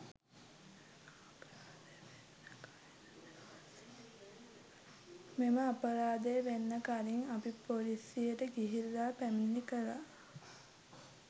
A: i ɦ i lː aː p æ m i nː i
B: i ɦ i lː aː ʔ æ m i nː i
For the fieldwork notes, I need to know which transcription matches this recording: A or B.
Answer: A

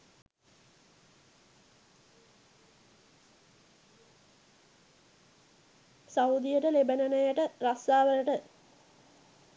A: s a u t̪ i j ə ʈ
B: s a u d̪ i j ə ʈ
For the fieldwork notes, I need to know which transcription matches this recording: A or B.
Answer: B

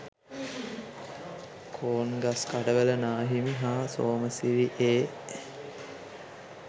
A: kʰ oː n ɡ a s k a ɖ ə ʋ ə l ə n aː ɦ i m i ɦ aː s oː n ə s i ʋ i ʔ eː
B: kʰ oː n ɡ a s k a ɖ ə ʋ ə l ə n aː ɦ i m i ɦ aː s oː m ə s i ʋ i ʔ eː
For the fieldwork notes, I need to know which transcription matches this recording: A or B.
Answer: B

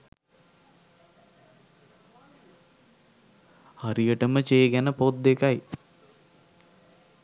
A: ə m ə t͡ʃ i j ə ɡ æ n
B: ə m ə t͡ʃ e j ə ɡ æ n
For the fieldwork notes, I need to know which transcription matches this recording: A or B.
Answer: B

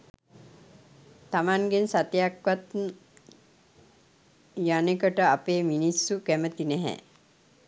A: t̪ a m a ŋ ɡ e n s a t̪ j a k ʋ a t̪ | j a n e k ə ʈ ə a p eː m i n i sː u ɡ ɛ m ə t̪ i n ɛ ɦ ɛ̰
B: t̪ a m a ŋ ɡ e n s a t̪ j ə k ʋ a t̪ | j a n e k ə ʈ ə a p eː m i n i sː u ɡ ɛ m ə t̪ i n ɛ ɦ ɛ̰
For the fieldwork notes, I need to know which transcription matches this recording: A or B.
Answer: A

